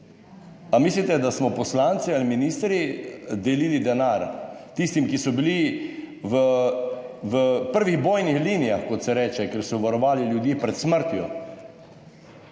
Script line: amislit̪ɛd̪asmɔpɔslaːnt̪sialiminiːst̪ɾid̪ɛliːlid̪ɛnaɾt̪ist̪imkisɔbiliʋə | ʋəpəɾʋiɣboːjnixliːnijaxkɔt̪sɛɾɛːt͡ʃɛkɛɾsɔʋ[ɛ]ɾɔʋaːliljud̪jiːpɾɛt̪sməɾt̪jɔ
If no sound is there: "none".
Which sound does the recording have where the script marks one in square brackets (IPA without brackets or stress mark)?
a